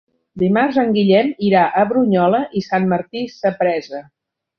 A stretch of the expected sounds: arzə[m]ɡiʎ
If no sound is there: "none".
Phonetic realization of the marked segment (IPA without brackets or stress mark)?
ŋ